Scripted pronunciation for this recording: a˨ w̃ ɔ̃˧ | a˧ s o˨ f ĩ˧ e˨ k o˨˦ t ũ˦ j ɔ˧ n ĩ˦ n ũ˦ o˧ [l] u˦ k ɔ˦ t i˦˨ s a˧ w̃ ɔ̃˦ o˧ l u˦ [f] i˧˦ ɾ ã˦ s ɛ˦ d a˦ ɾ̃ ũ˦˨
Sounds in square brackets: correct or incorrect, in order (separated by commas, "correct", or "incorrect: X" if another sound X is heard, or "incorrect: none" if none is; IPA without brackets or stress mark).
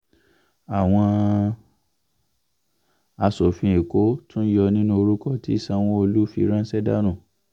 incorrect: ɾ, correct